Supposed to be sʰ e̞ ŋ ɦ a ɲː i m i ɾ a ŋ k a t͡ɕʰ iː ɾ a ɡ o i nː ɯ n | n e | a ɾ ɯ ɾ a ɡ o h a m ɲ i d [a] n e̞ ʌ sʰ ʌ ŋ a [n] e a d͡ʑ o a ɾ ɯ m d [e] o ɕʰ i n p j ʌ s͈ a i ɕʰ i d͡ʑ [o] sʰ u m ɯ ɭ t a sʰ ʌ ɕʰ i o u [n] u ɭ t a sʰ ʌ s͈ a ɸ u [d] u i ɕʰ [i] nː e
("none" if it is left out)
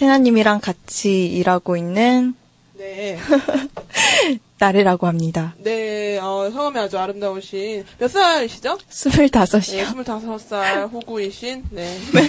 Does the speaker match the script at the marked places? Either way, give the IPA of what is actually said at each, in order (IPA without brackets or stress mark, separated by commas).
a, m, a, o, m, ɡ, i